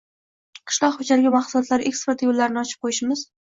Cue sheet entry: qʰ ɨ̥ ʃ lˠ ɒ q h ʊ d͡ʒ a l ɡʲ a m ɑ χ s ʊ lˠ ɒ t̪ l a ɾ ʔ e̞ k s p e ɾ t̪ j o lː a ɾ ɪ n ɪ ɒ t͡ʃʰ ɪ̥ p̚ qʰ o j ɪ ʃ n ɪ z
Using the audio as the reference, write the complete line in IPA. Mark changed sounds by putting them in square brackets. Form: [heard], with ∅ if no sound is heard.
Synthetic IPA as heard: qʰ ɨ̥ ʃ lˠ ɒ q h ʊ d͡ʒ a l ɡʲ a m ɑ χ s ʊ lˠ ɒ t̪ l a ɾ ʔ e̞ k s p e ɾ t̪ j o lː a ɾ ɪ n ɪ ɒ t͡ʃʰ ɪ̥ p̚ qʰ o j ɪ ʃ [m] ɪ z